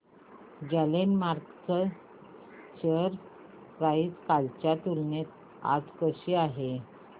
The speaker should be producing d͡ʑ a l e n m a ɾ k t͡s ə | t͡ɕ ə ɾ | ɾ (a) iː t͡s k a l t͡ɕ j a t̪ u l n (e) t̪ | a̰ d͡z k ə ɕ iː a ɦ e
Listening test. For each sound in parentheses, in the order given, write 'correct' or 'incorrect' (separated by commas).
correct, correct